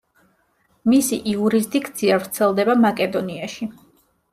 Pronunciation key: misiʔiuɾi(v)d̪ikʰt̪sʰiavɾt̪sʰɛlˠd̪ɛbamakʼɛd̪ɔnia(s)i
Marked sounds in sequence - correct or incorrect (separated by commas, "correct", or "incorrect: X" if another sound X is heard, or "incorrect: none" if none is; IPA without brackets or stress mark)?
incorrect: z, incorrect: ʃ